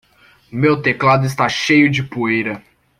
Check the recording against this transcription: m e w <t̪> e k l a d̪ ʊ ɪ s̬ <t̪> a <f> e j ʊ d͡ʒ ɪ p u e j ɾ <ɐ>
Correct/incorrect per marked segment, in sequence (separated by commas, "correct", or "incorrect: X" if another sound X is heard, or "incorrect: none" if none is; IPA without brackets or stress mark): correct, correct, incorrect: ʃ, correct